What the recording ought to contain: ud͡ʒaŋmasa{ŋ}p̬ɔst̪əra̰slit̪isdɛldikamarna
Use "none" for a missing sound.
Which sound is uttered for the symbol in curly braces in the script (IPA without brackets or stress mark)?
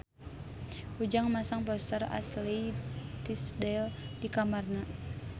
ŋ